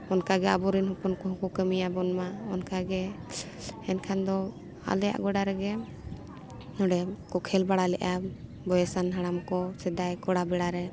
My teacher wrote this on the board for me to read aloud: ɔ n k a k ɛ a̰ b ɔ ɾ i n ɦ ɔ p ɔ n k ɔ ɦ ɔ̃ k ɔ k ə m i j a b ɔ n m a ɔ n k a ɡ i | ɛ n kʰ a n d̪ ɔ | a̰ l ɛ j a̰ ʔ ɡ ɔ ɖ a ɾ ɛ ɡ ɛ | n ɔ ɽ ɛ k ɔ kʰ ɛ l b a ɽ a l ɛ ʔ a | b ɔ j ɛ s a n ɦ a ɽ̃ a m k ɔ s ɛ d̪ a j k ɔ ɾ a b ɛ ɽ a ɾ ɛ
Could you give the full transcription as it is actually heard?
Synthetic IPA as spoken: ɔ n k a ɡ ɛ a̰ b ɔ ɾ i n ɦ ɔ p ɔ n k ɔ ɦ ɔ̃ k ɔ k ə m i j a b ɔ n m a ɔ n k a ɡ ɛ | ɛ n kʰ a n d̪ ɔ | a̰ l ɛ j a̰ ʔ ɡ ɔ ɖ a ɾ ɛ ɡ ɛ | n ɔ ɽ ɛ k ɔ kʰ ɛ l b a ɽ a l ɛ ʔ a | b ɔ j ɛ s a n ɦ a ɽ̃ a m k ɔ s ɛ d̪ a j k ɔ ɽ a b ɛ ɽ a ɾ ɛ